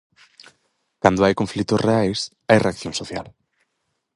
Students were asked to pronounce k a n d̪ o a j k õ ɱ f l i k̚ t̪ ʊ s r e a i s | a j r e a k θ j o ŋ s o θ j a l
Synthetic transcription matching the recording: k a n d̪ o a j k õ ɱ f l i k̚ t̪ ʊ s r e a j s | a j r e a k θ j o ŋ s o θ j a l